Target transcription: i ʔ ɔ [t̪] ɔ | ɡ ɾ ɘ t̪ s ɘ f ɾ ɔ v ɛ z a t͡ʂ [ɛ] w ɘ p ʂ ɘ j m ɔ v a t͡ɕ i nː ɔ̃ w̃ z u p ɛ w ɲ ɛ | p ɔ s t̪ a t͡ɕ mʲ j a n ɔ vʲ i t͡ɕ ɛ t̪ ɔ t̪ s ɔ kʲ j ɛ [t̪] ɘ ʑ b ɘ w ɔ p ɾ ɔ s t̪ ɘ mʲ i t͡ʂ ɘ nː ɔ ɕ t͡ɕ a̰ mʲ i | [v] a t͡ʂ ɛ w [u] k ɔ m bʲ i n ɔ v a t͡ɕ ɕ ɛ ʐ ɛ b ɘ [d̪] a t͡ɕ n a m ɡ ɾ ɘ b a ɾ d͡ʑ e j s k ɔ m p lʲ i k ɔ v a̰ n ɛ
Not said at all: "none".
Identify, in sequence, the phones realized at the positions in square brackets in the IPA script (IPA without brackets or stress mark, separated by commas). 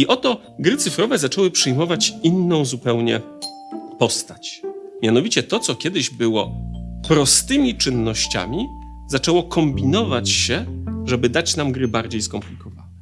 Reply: t̪, ɛ, d̪, z, ɔ, d̪